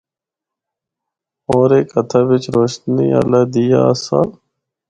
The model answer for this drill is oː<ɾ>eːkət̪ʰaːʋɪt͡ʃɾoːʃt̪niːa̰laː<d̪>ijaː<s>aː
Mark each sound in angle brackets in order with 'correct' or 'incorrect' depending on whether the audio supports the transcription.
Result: correct, correct, correct

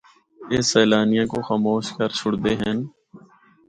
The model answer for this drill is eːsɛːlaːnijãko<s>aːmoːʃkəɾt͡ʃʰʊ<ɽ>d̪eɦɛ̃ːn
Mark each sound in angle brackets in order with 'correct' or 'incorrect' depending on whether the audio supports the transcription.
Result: incorrect, correct

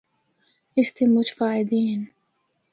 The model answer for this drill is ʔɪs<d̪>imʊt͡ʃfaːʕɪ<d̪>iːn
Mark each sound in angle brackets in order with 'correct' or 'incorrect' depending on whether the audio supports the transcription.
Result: incorrect, correct

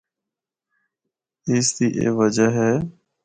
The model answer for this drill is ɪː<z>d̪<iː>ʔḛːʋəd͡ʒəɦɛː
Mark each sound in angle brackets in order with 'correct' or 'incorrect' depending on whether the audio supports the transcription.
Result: incorrect, correct

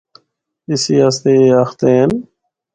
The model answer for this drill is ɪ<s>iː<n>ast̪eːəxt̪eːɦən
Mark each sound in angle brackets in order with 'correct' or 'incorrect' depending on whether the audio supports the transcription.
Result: correct, incorrect

